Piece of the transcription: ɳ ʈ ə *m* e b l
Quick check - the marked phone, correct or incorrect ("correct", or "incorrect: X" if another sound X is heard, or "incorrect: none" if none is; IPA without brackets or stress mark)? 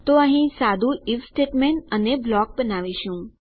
incorrect: n